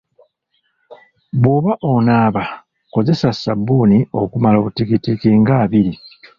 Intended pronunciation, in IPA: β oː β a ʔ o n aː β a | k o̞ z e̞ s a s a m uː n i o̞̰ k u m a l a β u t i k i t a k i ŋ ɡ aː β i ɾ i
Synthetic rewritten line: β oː β a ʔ o n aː β a | k o̞ z e̞ s a s a b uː n i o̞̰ k u m a l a β u t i k i t i k i ŋ ɡ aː β i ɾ i